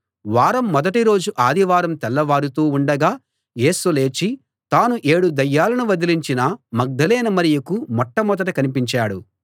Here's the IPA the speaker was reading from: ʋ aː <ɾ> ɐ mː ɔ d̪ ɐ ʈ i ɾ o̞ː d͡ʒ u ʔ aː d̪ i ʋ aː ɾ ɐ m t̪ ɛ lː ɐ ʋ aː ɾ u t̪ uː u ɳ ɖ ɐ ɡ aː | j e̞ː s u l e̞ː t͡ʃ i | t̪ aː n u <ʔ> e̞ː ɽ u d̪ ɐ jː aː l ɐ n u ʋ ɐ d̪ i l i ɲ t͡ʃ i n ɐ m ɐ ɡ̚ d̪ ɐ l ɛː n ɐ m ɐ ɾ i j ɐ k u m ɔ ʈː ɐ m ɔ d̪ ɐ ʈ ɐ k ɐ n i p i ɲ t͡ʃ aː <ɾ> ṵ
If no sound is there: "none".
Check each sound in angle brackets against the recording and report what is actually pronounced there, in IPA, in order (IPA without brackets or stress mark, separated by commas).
ɾ, ʔ, ɽ